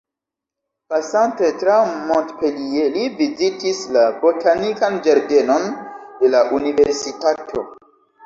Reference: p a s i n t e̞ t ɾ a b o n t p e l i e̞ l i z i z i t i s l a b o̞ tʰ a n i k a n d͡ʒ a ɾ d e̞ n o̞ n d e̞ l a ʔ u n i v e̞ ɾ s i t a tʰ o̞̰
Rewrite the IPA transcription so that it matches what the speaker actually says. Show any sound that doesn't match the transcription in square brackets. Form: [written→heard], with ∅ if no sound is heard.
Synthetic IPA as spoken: p a s [i→a] n t e̞ t ɾ a [b→m] o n t p e l i e̞ l i [z→v] i z i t i s l a b o̞ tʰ a n i k a n d͡ʒ a ɾ d e̞ n o̞ n d e̞ l a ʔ u n i v e̞ ɾ s i t a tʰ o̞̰